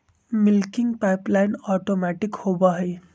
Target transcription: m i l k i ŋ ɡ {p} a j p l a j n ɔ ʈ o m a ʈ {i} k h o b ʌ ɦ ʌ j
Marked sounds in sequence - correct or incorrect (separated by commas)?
correct, correct